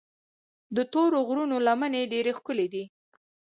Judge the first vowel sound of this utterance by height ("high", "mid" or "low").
mid